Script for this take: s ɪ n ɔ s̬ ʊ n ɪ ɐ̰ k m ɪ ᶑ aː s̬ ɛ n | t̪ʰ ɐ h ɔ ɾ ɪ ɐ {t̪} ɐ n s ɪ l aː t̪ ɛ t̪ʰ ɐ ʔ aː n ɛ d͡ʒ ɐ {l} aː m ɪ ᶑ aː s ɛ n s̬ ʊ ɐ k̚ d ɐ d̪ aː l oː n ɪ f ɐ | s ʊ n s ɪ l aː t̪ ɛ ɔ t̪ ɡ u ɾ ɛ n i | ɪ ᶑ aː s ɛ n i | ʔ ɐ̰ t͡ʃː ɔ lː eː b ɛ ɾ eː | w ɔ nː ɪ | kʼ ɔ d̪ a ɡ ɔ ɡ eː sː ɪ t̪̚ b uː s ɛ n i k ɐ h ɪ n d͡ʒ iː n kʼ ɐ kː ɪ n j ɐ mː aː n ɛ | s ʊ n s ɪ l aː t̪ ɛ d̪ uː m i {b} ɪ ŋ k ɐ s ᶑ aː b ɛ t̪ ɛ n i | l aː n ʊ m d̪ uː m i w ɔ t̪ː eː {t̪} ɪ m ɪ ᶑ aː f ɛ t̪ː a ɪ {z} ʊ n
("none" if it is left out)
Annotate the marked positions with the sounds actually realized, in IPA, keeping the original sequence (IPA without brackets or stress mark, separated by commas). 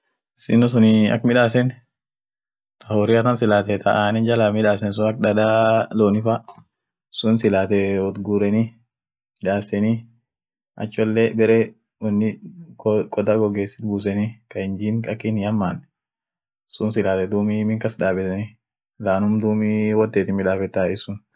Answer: t̪, l, m, t̪, s